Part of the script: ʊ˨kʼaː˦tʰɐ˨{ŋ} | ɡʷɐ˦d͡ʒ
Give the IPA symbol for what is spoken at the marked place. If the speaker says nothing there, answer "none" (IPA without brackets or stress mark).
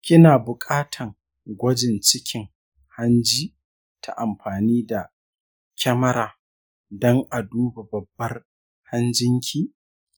ŋ